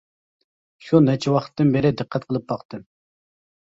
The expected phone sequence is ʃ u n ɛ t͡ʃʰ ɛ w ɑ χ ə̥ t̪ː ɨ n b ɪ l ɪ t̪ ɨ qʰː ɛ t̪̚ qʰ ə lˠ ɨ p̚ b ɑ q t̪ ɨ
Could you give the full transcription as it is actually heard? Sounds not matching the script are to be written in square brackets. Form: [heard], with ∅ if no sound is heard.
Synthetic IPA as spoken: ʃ u n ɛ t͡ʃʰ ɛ w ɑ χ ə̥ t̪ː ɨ n b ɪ [ɾ] ɪ [d̪] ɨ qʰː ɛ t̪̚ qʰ ə lˠ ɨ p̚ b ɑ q t̪ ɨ